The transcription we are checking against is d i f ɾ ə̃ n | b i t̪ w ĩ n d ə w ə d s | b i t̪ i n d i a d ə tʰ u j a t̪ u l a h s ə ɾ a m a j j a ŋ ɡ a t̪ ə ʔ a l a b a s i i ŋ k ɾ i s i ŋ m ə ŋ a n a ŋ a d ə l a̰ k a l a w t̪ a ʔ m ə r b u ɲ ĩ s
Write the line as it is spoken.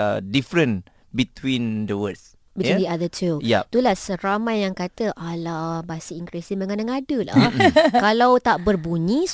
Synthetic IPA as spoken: d i f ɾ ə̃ n | b i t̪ w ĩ n d ə w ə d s | b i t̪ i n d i a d ə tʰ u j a t̪ u l a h s ə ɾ a m a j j a ŋ k a t̪ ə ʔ a l a b a s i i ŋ k ɾ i s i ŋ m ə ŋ a n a ŋ a d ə l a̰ k a l a w t̪ a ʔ b ə r b u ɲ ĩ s